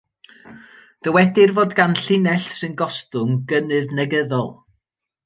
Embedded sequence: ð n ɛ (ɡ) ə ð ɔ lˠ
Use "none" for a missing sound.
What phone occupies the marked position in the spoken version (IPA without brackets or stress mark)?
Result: ɡ